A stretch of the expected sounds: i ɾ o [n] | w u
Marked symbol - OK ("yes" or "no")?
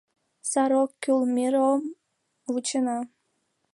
no